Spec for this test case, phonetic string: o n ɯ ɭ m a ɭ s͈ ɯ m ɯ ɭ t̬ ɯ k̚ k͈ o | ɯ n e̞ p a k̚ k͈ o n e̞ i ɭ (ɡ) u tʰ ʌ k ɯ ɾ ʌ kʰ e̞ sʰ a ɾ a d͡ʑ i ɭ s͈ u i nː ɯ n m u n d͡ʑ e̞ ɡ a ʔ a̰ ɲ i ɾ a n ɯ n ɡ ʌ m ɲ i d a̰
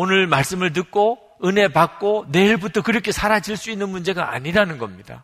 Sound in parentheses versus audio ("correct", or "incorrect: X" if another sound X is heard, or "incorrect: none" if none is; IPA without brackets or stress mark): incorrect: b